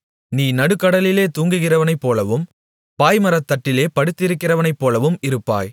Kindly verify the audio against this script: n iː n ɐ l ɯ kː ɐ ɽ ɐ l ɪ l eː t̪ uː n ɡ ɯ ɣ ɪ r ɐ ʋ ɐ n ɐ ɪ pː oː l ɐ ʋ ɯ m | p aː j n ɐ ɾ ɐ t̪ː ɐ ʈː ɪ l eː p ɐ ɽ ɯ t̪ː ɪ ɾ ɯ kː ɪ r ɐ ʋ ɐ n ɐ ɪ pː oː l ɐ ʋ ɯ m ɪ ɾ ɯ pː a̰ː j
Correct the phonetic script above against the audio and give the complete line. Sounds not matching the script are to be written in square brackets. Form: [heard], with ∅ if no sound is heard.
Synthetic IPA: n iː n ɐ [ɽ] ɯ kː ɐ ɽ ɐ l ɪ l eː t̪ uː [ŋ] ɡ ɯ ɣ ɪ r ɐ ʋ ɐ n ɐ ɪ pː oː l ɐ ʋ ɯ m | p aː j [m] ɐ ɾ ɐ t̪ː ɐ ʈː ɪ l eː p ɐ ɽ ɯ t̪ː ɪ ɾ ɯ kː ɪ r ɐ ʋ ɐ n ɐ ɪ pː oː l ɐ ʋ ɯ m ɪ ɾ ɯ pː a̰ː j